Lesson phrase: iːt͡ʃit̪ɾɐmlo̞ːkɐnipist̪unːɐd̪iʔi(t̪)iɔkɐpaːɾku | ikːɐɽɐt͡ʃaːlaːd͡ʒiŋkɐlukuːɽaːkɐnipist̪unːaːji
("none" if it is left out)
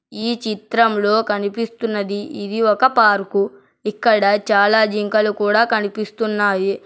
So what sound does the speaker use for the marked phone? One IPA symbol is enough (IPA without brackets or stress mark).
d̪